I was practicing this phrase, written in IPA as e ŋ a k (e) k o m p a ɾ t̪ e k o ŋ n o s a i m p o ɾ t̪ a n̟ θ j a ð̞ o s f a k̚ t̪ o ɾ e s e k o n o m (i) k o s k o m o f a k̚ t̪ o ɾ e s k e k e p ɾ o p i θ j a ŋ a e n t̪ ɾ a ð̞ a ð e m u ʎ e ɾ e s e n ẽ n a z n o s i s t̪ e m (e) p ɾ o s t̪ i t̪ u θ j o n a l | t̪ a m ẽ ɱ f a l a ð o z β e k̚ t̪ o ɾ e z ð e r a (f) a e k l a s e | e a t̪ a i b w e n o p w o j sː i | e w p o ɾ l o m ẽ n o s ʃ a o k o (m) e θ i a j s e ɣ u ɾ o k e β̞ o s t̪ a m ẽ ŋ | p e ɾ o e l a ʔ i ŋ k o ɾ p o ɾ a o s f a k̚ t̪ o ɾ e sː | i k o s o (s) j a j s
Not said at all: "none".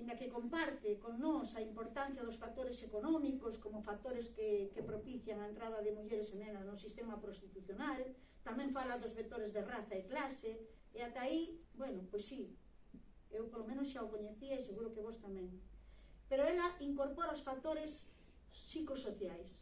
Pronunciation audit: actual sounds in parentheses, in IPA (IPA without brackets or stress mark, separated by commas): e, i, a, θ, ɲ, θ